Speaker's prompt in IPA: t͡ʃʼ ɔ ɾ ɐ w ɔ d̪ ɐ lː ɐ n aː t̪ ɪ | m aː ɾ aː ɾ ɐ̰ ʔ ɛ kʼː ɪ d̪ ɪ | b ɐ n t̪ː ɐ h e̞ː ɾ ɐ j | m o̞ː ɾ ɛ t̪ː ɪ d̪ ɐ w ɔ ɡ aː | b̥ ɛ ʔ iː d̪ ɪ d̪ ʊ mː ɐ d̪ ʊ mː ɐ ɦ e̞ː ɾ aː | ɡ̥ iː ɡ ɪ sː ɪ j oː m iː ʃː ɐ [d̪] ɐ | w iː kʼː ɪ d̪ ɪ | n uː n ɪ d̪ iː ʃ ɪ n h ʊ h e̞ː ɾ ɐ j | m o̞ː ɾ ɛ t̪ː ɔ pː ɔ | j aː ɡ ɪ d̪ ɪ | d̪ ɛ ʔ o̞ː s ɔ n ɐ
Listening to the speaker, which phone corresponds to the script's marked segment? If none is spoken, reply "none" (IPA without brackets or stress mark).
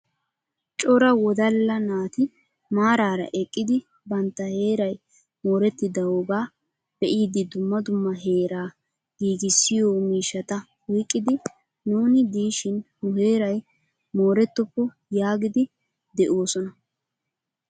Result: t̪